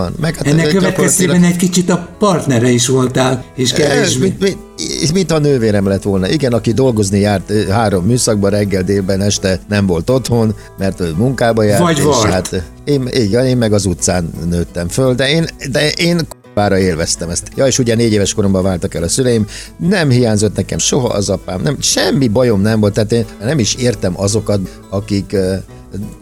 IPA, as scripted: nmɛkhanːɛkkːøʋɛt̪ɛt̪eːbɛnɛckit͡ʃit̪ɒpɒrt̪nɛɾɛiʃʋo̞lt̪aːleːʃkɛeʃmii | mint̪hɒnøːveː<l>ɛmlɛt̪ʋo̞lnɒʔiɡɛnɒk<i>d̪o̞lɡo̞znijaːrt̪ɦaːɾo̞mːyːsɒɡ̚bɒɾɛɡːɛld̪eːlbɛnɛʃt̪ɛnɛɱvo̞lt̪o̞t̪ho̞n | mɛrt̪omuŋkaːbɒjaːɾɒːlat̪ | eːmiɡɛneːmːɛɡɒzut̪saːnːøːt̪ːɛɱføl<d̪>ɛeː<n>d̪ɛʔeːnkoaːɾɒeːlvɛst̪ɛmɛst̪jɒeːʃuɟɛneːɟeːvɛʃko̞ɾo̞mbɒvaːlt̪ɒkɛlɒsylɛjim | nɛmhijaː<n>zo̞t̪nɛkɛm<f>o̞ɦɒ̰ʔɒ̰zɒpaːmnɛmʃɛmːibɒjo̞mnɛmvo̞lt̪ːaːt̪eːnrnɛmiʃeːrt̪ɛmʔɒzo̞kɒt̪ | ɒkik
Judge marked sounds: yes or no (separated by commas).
no, yes, yes, yes, no, no